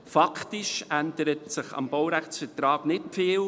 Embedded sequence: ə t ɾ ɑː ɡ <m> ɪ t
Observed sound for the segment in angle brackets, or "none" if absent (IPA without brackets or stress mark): n